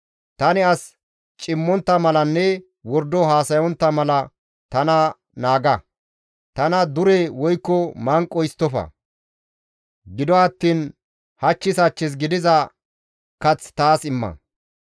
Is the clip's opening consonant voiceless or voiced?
voiceless